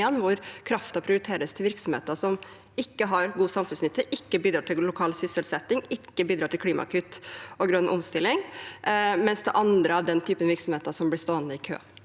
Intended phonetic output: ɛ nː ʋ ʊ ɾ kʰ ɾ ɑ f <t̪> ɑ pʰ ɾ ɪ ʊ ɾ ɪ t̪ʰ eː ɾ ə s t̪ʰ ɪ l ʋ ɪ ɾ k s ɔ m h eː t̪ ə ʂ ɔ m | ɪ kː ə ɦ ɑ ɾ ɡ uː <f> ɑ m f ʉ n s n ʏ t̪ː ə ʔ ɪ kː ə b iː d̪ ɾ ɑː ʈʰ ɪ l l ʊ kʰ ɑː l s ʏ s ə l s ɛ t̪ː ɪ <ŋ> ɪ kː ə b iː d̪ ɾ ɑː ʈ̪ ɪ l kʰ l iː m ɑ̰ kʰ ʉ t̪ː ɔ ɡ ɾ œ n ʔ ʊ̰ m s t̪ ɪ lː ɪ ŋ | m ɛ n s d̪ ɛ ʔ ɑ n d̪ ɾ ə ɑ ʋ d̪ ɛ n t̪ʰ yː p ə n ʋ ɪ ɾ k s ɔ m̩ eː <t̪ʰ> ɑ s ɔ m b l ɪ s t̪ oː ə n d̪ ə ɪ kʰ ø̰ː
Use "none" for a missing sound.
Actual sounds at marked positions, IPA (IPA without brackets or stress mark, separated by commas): t̪, s, ŋ, t̪